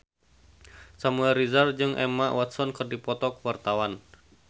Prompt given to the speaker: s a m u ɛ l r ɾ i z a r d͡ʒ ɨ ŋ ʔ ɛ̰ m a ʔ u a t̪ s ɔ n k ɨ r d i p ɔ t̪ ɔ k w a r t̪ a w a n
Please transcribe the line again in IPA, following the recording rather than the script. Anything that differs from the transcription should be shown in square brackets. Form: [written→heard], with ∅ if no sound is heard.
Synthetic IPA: s a m u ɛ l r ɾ i z a r d͡ʒ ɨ ŋ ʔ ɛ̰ m a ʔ [u→w] a t̪ s ɔ n k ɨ r d i p ɔ t̪ ɔ k w a r t̪ a w a n

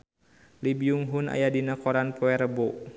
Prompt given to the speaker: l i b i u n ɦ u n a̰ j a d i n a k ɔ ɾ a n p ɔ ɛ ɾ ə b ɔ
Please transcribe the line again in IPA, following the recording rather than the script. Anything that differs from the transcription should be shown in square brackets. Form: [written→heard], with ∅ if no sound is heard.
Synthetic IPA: l i b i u [n→ŋ] ɦ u n a̰ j a d i n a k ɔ ɾ a n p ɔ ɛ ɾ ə b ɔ

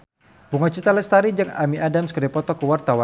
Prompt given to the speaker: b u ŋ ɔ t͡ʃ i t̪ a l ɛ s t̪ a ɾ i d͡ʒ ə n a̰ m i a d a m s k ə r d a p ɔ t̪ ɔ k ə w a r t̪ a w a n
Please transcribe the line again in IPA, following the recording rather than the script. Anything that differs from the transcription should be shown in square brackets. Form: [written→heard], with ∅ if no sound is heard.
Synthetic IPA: b u ŋ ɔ t͡ʃ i t̪ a l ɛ s t̪ a ɾ i d͡ʒ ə [n→ŋ] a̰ m i a d a m s k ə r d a p ɔ t̪ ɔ k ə w a r t̪ a w a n

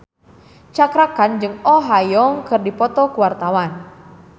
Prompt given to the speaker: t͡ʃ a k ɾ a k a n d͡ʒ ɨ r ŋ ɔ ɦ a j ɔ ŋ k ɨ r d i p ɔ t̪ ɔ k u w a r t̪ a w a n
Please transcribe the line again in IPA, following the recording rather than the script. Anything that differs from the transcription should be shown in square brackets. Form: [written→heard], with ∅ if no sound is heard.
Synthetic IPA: t͡ʃ a k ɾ a k a n d͡ʒ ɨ [r→∅] ŋ ɔ ɦ a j ɔ ŋ k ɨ r d i p ɔ t̪ ɔ k u w a r t̪ a w a n

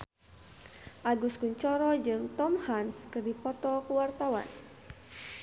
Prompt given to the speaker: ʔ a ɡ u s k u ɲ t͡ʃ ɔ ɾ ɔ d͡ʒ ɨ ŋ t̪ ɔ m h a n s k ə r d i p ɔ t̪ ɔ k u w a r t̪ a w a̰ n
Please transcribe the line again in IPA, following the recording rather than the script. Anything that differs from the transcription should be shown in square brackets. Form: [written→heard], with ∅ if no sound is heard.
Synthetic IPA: ʔ a ɡ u s k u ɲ t͡ʃ ɔ ɾ ɔ d͡ʒ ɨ ŋ t̪ ɔ m h a n s k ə r d i p ɔ t̪ ɔ k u w a r t̪ a w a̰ n

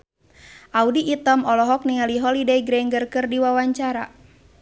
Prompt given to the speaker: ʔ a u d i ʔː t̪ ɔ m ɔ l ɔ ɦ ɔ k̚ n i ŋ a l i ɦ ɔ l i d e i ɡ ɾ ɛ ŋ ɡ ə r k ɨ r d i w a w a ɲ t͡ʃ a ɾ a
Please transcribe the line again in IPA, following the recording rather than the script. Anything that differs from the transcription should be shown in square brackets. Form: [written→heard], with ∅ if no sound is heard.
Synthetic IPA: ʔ a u d i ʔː t̪ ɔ m ɔ l ɔ ɦ ɔ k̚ n i ŋ a l i ɦ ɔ l i d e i ɡ ɾ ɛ ŋ ɡ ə r k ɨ r d i w a w a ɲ t͡ʃ a ɾ a

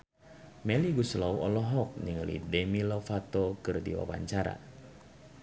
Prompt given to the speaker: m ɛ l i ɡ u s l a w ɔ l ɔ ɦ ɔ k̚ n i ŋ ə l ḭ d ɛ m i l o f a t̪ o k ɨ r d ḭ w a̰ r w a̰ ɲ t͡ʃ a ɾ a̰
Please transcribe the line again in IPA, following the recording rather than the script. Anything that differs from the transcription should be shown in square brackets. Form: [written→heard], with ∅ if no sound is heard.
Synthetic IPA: m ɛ l i ɡ u s l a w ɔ l ɔ ɦ ɔ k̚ n i ŋ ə l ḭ d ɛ m i l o f a t̪ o k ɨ r d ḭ w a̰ [r→∅] w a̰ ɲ t͡ʃ a ɾ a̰

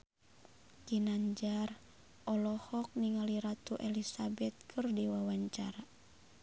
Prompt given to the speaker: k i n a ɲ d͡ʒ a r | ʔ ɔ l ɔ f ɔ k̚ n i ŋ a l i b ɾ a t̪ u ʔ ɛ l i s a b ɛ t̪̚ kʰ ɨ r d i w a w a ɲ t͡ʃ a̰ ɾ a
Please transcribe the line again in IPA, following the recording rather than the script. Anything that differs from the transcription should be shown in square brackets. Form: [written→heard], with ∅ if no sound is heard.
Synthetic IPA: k i n a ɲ d͡ʒ a r | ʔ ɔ l ɔ [f→h] ɔ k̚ n i ŋ a l i [b→∅] ɾ a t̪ u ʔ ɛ l i s a b ɛ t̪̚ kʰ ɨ r d i w a w a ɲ t͡ʃ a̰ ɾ a

